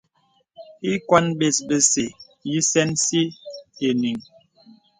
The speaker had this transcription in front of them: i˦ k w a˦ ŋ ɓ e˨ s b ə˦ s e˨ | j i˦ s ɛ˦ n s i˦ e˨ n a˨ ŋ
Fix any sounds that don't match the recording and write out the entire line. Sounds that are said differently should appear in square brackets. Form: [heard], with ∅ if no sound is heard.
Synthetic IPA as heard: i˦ k w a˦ [n] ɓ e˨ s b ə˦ s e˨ | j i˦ s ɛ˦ n s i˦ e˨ n [i˨] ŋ

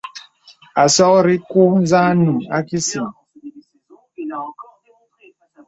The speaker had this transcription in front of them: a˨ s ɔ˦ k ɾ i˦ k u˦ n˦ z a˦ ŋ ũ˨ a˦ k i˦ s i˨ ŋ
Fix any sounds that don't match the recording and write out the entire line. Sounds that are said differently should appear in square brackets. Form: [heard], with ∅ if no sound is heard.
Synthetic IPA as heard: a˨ s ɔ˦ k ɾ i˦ k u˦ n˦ z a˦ [n] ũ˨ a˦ k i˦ s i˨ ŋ

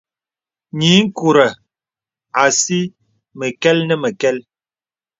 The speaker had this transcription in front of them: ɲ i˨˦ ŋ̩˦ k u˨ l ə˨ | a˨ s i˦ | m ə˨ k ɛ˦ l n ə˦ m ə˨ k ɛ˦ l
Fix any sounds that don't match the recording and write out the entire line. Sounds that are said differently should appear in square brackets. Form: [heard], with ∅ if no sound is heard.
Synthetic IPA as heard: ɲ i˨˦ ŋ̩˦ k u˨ [ɾ] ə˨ | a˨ s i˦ | m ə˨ k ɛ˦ l n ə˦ m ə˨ k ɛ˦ l

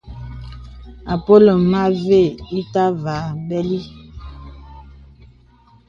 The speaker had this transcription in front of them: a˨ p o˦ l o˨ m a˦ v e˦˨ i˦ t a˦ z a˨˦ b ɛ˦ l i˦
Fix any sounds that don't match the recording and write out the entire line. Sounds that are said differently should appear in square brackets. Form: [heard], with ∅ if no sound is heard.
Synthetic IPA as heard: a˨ p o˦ l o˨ m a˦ v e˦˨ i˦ t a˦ [v] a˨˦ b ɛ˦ l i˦

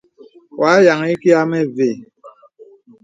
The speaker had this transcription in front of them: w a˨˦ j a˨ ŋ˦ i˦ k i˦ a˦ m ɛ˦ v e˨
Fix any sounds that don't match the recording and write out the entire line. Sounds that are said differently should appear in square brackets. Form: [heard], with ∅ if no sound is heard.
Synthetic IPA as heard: w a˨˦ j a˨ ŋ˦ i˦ k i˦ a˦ m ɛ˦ v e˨

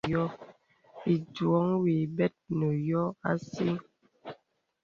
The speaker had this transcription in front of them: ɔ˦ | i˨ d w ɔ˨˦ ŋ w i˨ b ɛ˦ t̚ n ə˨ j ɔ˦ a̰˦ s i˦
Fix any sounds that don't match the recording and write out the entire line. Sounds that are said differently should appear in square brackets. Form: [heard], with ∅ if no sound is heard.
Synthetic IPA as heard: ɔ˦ | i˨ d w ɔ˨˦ ŋ w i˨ b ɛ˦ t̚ n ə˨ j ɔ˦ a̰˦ s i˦

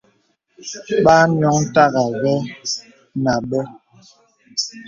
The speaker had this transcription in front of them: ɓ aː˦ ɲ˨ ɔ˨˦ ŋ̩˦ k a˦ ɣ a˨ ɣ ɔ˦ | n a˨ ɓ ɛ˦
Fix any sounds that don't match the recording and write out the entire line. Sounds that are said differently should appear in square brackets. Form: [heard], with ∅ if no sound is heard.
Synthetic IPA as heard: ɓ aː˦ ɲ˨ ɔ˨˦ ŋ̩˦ [t] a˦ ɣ a˨ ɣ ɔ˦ | n a˨ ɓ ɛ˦

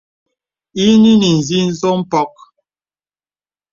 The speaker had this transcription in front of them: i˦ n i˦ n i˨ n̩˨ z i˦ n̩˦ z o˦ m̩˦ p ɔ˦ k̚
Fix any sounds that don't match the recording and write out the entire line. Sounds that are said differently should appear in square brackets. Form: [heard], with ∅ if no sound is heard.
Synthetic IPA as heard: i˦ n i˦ n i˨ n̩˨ z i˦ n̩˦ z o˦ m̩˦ p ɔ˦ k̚

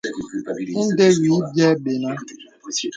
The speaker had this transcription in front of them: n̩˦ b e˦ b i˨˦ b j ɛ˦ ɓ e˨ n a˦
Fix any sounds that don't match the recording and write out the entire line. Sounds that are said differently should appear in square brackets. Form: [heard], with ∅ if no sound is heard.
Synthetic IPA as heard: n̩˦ [d] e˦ [w] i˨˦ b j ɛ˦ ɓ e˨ n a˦

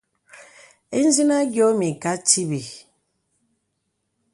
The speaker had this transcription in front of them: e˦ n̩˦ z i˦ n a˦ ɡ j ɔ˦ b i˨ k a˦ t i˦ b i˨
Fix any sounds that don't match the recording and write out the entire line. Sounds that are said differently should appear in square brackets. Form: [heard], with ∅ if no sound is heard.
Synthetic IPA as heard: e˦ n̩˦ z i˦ n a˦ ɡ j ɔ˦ [m] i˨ k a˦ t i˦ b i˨

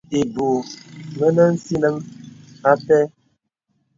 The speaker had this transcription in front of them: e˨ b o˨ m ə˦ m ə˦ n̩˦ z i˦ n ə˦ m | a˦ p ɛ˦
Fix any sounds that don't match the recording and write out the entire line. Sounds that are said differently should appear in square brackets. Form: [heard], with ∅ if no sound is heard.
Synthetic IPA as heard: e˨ b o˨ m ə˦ [n] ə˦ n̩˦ [s] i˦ n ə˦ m | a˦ p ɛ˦

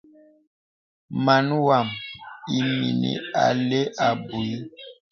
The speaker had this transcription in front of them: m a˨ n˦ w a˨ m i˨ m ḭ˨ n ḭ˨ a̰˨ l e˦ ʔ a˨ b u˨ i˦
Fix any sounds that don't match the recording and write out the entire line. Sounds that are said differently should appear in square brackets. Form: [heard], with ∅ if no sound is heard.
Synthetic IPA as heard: m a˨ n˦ w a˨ m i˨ m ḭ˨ n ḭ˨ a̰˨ l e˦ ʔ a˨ b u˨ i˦

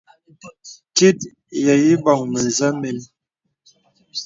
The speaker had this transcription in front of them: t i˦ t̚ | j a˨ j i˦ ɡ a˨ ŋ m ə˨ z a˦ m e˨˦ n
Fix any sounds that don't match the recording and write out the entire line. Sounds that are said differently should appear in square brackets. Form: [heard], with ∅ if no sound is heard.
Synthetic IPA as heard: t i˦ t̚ | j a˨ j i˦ [b] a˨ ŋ m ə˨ z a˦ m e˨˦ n

